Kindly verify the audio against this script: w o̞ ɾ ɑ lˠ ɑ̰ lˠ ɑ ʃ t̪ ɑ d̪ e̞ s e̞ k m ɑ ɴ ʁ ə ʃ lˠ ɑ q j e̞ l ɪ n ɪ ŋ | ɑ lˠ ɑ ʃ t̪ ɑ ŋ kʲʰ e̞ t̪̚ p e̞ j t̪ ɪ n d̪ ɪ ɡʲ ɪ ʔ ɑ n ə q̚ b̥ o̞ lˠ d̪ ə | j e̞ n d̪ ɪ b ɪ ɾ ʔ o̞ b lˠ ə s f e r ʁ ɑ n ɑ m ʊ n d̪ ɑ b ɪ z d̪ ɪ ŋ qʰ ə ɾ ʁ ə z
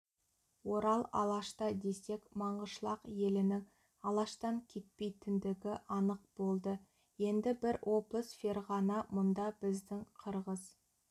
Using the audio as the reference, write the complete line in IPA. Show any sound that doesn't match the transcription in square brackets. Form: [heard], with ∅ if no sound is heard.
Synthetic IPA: w o̞ ɾ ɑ lˠ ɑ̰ lˠ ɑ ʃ t̪ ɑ d̪ e̞ s e̞ k m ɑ ɴ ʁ ə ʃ lˠ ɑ q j e̞ l ɪ n ɪ ŋ | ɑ lˠ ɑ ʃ t̪ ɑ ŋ kʲʰ e̞ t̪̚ p e̞ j t̪ ɪ n d̪ ɪ ɡʲ ɪ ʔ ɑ n ə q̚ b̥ o̞ lˠ d̪ ə | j e̞ n d̪ ɪ b ɪ ɾ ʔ o̞ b lˠ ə s f e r ʁ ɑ n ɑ m ʊ n d̪ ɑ b ɪ z d̪ ɪ ŋ qʰ ə ɾ ʁ ə z

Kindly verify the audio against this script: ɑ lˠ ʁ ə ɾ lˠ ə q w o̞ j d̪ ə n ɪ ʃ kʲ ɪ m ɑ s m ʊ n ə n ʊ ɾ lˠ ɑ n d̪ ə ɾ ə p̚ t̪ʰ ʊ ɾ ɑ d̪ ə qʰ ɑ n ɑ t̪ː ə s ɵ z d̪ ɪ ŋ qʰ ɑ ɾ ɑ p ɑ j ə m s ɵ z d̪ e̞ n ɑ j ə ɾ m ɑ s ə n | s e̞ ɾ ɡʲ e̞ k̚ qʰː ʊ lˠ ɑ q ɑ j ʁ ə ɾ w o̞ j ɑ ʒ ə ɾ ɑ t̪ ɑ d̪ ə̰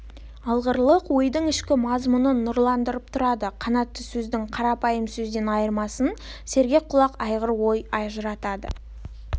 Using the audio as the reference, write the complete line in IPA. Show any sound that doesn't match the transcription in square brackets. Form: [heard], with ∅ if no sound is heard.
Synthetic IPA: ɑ lˠ ʁ ə ɾ lˠ ə q w o̞ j d̪ ə [ɴ] ɪ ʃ kʲ ɪ m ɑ [z] m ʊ n ə n ʊ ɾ lˠ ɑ n d̪ ə ɾ ə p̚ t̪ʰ ʊ ɾ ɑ d̪ ə qʰ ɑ n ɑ t̪ː ə s ɵ z d̪ ɪ ŋ qʰ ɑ ɾ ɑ p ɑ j ə m s ɵ z d̪ e̞ n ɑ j ə ɾ m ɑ s ə n | s e̞ ɾ ɡʲ e̞ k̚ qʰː ʊ lˠ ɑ q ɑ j ʁ ə ɾ w o̞ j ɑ ʒ ə ɾ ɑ t̪ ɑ d̪ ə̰

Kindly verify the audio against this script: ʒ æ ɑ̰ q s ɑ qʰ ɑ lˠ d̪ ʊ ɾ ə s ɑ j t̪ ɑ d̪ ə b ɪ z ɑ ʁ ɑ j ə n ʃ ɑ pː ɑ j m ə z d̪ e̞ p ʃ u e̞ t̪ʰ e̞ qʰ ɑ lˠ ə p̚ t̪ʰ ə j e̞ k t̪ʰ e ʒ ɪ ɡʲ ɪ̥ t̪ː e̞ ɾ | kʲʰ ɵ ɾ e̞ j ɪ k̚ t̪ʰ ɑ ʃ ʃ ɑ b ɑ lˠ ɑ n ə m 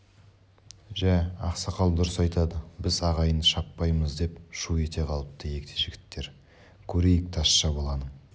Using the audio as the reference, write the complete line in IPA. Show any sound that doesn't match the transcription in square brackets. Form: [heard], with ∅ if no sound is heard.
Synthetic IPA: ʒ æ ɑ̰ q s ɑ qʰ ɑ lˠ d̪ ʊ ɾ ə s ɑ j t̪ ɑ d̪ ə b ɪ z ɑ ʁ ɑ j ə n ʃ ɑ pː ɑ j m ə z d̪ e̞ p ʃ u e̞ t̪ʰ e̞ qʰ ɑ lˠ ə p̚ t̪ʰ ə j e̞ k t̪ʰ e ʒ ɪ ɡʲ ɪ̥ t̪ː e̞ ɾ | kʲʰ ɵ ɾ e̞ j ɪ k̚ t̪ʰ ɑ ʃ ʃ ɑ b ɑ lˠ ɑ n ə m

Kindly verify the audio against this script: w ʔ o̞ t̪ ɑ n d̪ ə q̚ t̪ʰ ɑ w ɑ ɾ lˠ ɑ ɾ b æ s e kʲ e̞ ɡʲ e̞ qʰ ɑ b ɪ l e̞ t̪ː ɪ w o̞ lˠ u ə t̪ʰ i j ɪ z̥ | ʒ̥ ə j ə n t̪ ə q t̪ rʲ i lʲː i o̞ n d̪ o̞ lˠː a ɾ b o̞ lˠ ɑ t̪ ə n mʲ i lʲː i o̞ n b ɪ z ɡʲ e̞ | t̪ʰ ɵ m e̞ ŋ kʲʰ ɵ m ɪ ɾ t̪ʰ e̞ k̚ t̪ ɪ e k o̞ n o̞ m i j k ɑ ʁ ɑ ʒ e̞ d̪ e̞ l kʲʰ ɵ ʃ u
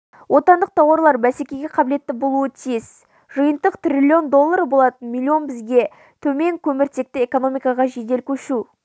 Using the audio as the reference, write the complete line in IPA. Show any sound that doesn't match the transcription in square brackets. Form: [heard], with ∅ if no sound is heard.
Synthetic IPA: w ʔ o̞ t̪ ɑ n d̪ ə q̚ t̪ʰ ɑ w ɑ ɾ lˠ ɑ ɾ b æ s e kʲ e̞ ɡʲ e̞ qʰ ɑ b ɪ l e̞ t̪ː ɪ [b] o̞ lˠ u ə t̪ʰ i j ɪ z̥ | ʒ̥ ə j ə n t̪ ə q t̪ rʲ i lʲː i o̞ n d̪ o̞ lˠː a ɾ b o̞ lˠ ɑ t̪ ə n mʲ i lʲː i o̞ n b ɪ z ɡʲ e̞ | t̪ʰ ɵ m e̞ ŋ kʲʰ ɵ m ɪ ɾ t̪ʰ e̞ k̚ t̪ ɪ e k o̞ n o̞ m i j k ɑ ʁ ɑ ʒ e̞ d̪ e̞ l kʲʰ ɵ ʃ u

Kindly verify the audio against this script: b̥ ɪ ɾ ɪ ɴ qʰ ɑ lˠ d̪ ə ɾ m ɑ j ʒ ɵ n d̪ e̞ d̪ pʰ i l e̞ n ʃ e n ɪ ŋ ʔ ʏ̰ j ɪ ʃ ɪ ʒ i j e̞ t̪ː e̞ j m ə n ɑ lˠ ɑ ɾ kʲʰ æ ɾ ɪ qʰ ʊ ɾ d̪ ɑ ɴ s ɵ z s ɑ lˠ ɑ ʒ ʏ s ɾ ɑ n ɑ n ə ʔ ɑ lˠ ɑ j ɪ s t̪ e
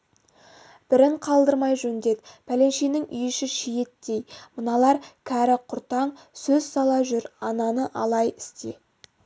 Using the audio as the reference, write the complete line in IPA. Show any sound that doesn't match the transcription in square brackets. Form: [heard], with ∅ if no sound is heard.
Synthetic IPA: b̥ ɪ ɾ ɪ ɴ qʰ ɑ lˠ d̪ ə ɾ m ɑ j ʒ ɵ n d̪ e̞ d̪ pʰ [æ] l e̞ n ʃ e n ɪ ŋ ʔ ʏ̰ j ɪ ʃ ɪ [ʃ] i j e̞ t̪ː e̞ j m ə n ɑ lˠ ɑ ɾ kʲʰ æ ɾ ɪ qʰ ʊ ɾ [t̪] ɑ ɴ s ɵ z s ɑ lˠ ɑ ʒ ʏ [∅] ɾ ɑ n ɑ n ə ʔ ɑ lˠ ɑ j ɪ s t̪ e

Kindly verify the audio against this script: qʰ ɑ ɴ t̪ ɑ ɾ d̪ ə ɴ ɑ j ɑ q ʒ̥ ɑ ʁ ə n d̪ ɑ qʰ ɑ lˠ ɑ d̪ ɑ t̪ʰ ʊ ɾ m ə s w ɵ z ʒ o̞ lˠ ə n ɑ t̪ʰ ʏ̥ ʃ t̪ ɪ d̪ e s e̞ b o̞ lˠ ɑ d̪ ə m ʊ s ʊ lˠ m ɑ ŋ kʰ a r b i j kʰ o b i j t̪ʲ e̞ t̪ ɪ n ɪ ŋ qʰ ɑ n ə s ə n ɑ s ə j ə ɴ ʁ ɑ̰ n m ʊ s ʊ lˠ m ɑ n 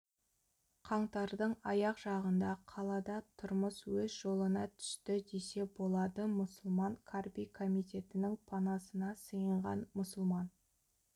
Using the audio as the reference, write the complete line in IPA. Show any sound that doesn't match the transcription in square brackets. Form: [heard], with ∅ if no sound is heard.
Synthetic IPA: qʰ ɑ ɴ t̪ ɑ ɾ d̪ ə ɴ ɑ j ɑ q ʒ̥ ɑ ʁ ə n d̪ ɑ qʰ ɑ lˠ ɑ d̪ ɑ t̪ʰ ʊ ɾ m ə s w ɵ z ʒ o̞ lˠ ə n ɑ t̪ʰ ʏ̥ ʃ t̪ ɪ d̪ e s e̞ b o̞ lˠ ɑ d̪ ə m ʊ s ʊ lˠ m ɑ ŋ kʰ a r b i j kʰ o [m] i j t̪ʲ e̞ t̪ ɪ n ɪ ŋ [pʰ] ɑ n [ɑ] s ə n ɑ s ə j ə ɴ ʁ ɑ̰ n m ʊ s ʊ lˠ m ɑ n

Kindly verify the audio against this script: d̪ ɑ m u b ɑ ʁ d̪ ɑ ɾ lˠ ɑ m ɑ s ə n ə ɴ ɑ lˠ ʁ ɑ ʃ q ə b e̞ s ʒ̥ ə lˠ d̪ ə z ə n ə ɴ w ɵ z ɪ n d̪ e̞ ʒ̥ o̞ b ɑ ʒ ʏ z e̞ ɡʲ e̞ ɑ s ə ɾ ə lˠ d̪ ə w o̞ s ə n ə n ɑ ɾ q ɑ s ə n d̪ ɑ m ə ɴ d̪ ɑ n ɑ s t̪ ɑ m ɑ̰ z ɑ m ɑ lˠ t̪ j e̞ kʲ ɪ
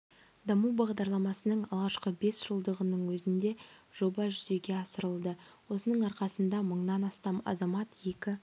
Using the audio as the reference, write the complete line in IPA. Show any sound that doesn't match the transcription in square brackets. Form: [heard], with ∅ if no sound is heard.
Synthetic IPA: d̪ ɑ m u b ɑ ʁ d̪ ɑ ɾ lˠ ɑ m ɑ s ə n ə ɴ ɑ lˠ ʁ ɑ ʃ q ə b e̞ s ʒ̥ ə lˠ d̪ ə [ʁ] ə n ə ɴ w ɵ z ɪ n d̪ e̞ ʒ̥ o̞ b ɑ ʒ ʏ z e̞ ɡʲ e̞ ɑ s ə ɾ ə lˠ d̪ ə w o̞ s ə n ə [ɴ] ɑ ɾ q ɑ s ə n d̪ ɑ m ə ɴ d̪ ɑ n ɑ s t̪ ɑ m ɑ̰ z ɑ m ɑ [∅] t̪ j e̞ kʲ ɪ

